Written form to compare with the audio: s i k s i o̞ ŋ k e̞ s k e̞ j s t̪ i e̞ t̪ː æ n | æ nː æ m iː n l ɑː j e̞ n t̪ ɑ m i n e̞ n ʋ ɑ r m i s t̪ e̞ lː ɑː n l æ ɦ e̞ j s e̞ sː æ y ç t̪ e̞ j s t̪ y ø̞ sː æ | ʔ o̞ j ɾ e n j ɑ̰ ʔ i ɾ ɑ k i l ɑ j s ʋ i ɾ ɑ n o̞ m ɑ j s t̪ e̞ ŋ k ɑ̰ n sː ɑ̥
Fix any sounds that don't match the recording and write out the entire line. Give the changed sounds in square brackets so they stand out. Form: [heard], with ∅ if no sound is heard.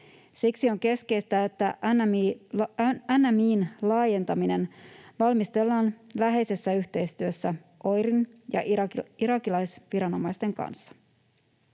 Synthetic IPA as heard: s i k s i o̞ ŋ k e̞ s k e̞ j s t̪ [æ] e̞ t̪ː æ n | æ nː æ m iː n l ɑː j e̞ n t̪ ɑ m i n e̞ n ʋ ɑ [l] m i s t̪ e̞ lː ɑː n l æ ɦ e̞ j s e̞ sː æ y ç t̪ e̞ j s t̪ y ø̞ sː æ | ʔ o̞ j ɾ [i] n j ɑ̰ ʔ i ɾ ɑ k i l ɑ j s ʋ i ɾ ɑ n o̞ m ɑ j s t̪ e̞ ŋ k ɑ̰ n sː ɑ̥